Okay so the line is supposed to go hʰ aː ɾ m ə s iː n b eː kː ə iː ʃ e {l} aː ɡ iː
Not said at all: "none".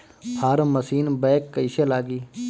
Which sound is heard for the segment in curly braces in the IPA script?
l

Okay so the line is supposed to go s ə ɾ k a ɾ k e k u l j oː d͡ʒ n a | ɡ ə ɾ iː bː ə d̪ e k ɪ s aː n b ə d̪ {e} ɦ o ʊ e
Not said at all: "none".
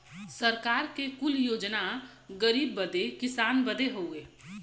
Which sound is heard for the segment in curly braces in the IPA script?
e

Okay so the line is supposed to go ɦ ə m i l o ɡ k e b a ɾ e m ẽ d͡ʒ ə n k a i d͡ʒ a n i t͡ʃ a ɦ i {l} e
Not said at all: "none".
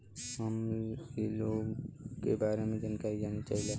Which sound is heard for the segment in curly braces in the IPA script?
l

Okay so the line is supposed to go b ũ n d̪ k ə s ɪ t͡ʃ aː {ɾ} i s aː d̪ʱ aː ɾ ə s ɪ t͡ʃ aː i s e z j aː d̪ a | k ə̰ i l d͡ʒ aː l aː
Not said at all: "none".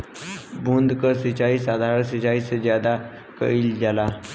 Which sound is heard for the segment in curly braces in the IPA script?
none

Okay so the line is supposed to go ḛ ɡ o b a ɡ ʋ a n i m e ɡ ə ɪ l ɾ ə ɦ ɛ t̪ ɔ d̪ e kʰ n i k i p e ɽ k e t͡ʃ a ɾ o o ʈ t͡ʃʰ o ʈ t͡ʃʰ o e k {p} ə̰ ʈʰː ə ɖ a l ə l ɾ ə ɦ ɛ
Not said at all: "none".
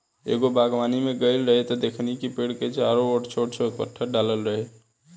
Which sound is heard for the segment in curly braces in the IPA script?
p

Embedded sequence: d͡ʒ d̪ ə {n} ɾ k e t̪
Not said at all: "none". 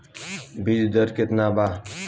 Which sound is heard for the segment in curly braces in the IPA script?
none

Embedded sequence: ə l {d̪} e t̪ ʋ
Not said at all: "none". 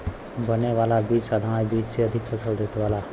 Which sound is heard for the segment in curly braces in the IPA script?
d̪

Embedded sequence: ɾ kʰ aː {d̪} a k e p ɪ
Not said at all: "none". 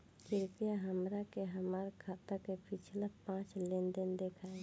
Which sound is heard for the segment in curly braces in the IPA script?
t̪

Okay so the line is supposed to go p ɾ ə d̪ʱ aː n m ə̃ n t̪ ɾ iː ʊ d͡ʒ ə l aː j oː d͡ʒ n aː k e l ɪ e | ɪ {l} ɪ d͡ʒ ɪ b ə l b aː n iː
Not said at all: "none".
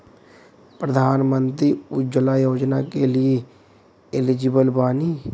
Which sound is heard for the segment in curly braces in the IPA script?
l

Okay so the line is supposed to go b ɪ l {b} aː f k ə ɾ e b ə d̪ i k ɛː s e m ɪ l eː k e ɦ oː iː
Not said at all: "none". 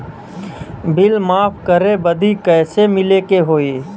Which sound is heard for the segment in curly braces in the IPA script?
m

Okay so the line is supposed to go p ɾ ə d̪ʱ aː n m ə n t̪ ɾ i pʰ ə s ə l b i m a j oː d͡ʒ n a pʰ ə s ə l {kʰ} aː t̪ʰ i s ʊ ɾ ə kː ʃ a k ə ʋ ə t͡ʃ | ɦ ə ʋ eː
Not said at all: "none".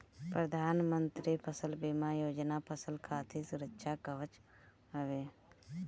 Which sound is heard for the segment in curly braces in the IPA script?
kʰ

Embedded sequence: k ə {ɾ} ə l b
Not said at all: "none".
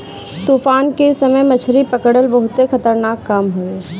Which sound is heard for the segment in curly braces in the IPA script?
ɽ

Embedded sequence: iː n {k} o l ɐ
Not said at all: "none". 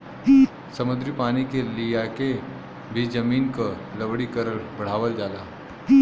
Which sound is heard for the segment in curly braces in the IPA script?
k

